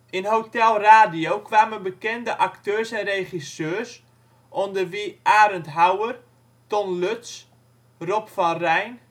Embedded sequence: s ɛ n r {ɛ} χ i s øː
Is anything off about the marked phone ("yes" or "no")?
yes